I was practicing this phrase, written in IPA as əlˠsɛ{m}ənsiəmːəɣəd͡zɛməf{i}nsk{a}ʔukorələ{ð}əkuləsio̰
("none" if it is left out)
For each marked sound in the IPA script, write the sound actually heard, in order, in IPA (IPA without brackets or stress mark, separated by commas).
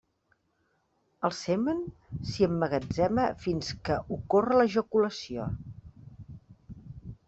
m, i, ə, ʒ